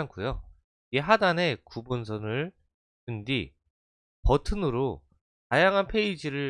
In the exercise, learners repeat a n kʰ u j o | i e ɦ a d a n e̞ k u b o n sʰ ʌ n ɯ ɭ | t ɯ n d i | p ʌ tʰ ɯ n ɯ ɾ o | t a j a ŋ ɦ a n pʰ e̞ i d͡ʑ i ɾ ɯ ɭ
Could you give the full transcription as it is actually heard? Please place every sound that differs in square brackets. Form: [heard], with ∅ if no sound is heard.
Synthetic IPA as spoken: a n kʰ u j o | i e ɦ a d a n e̞ k u b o n sʰ ʌ n ɯ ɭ | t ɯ n d i | p ʌ tʰ ɯ n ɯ ɾ o | t a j a ŋ ɦ a n pʰ e̞ i d͡ʑ i ɾ ɯ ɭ